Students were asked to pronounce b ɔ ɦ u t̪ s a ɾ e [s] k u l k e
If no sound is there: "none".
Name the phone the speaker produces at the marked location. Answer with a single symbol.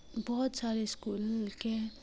s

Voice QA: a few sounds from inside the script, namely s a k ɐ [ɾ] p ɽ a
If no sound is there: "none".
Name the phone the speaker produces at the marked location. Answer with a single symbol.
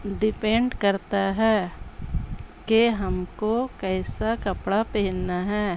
none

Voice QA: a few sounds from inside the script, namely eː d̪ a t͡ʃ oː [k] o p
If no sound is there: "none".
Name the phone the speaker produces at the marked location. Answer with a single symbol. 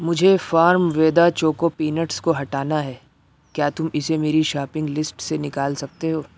k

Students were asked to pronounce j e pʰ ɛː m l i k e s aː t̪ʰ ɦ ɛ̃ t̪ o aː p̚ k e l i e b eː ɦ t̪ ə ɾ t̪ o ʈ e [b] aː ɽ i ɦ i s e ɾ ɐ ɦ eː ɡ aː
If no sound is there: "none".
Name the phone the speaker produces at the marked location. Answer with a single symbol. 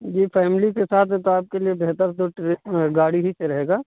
ɡ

